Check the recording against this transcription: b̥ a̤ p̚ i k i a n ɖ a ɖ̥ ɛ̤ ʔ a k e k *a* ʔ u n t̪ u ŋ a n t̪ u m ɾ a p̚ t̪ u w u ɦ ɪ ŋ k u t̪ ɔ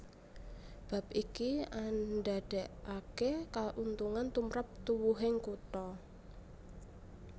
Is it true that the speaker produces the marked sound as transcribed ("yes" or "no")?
yes